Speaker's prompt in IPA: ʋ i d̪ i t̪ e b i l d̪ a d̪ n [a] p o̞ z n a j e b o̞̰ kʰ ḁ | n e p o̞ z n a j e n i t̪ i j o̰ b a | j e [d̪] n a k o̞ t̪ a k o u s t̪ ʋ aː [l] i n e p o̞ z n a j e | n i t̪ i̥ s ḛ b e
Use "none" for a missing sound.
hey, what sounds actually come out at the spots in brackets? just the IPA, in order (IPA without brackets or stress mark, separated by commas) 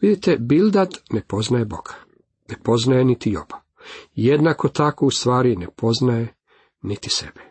e, d̪, ɾ